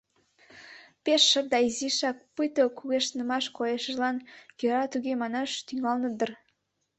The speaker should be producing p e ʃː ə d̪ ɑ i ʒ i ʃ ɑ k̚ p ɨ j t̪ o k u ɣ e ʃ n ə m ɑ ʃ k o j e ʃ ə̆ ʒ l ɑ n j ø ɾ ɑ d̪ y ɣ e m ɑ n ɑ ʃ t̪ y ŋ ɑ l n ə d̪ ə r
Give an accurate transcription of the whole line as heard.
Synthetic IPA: p e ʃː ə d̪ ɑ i z i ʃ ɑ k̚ p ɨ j t̪ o k u ɣ e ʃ n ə m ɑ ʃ k o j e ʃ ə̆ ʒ l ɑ n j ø ɾ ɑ t̪ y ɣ e m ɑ n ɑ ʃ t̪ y ŋ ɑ l n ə d̪ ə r